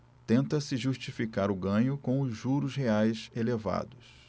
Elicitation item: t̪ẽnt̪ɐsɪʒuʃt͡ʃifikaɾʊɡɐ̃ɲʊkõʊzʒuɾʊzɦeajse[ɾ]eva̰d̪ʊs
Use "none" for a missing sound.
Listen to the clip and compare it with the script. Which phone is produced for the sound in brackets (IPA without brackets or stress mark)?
l